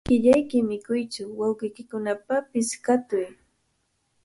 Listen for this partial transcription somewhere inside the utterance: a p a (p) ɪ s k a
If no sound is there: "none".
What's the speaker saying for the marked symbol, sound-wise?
p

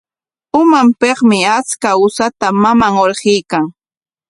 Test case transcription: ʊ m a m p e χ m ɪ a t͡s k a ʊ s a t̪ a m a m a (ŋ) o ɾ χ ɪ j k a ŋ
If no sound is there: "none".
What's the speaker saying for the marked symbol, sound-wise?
ŋ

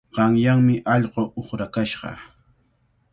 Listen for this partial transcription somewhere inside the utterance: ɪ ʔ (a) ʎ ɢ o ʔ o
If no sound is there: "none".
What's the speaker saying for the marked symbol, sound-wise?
ɑ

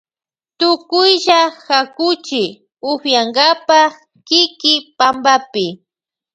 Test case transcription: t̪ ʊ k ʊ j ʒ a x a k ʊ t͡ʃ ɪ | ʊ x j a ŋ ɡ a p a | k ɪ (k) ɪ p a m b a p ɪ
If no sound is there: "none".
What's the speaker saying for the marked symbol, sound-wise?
k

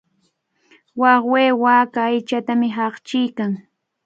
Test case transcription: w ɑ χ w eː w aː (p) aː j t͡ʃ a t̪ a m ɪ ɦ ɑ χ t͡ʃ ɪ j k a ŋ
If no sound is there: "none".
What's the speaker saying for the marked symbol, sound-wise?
k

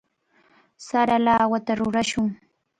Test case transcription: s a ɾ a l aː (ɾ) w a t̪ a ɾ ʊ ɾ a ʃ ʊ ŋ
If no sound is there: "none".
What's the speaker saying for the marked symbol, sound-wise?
none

